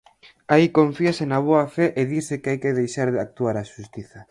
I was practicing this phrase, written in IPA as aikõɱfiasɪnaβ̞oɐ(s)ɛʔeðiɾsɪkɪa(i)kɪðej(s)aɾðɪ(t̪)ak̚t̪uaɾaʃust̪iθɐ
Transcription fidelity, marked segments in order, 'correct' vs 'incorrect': incorrect: f, incorrect: j, incorrect: ʃ, incorrect: none

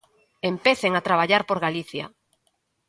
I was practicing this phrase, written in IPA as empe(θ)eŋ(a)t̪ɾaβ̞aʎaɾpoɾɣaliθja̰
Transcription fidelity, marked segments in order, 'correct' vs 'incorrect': correct, correct

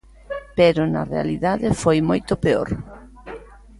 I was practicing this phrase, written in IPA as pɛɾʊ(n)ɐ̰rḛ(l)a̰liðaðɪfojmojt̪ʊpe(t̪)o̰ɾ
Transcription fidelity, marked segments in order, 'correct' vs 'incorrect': correct, incorrect: none, incorrect: none

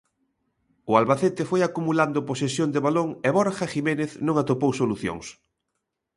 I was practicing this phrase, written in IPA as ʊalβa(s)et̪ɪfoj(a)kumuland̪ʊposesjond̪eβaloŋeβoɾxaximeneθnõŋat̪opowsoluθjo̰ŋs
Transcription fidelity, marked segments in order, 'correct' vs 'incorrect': incorrect: θ, correct

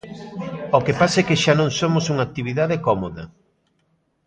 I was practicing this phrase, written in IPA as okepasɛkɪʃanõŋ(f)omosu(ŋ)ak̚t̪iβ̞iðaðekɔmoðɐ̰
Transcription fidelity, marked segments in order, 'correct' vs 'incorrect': incorrect: s, correct

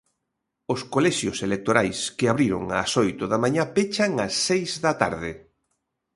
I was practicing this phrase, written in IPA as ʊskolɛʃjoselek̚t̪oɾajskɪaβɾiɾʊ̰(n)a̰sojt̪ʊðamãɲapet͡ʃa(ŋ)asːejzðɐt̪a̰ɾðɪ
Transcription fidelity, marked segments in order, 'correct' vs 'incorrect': incorrect: ŋ, correct

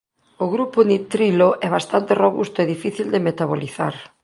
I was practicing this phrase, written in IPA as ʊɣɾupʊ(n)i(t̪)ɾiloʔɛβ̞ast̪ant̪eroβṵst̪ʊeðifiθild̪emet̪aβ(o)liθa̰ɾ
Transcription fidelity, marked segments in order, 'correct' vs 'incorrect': correct, correct, correct

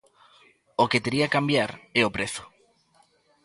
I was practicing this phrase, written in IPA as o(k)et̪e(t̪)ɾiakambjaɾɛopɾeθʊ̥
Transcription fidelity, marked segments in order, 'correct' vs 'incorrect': correct, incorrect: none

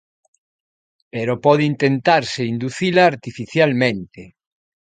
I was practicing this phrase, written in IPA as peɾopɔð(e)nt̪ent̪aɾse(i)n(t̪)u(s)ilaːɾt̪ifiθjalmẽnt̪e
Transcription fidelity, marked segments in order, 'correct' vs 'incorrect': incorrect: i, correct, incorrect: d̪, incorrect: θ

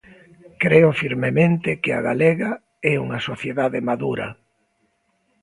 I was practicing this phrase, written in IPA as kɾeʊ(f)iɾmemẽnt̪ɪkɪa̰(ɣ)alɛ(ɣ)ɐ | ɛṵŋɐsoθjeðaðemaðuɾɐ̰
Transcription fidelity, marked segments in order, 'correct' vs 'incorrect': correct, correct, correct

